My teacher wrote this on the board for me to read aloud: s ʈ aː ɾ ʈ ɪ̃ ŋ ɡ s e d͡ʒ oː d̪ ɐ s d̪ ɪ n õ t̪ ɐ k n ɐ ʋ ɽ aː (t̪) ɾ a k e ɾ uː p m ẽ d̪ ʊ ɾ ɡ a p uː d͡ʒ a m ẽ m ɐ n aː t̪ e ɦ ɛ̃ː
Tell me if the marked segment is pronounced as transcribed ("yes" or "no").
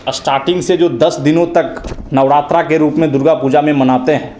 yes